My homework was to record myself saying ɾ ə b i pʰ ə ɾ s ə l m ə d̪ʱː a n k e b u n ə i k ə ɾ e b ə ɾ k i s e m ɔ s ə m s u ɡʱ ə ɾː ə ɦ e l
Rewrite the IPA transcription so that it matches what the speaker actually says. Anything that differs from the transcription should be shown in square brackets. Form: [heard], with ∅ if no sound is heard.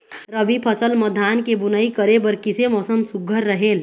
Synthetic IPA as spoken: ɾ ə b i pʰ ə [∅] s ə l m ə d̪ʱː a n k e b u n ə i k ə ɾ e b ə ɾ k i s e m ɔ s ə m s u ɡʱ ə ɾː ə ɦ e l